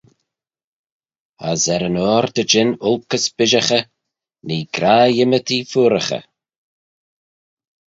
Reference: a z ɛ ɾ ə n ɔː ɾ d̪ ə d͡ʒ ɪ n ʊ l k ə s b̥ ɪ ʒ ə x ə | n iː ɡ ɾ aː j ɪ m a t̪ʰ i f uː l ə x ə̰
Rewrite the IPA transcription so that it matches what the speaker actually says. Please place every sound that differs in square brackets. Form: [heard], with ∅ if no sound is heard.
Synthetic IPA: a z ɛ ɾ ə n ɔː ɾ d̪ ə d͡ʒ ɪ n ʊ l k ə s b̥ ɪ ʒ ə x ə | n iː ɡ ɾ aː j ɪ m [ə] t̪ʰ i f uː [ɾ] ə x ə̰